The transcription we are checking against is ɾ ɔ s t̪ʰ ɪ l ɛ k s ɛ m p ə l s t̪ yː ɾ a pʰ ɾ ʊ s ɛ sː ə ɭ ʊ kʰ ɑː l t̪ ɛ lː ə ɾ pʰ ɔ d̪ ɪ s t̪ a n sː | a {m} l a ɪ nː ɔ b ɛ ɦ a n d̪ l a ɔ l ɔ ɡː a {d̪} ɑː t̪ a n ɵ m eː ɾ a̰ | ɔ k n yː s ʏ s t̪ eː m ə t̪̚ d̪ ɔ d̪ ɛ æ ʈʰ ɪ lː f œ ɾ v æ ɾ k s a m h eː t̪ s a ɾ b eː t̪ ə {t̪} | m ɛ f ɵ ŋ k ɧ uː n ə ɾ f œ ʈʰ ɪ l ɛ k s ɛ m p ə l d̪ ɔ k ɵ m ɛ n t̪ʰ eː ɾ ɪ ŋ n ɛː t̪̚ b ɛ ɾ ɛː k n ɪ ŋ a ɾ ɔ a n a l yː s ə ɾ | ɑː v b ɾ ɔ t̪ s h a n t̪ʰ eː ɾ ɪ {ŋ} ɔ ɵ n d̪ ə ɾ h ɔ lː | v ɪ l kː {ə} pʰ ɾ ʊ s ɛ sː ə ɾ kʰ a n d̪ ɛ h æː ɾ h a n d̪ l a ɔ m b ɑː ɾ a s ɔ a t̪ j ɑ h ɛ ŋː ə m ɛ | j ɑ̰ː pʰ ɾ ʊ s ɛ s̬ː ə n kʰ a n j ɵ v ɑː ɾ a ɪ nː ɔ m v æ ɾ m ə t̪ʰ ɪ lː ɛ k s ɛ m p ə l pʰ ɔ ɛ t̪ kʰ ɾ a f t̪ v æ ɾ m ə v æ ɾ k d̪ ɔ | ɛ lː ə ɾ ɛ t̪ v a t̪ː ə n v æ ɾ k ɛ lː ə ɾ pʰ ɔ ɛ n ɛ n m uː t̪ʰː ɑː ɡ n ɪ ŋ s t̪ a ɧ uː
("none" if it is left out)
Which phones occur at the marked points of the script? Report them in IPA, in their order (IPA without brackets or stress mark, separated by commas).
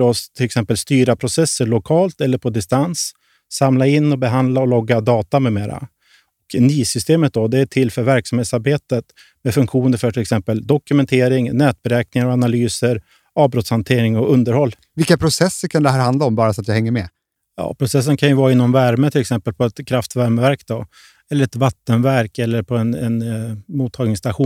m, d̪, t̪, ŋ, a